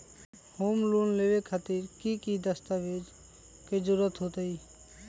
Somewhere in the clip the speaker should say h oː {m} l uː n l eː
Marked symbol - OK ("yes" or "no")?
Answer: yes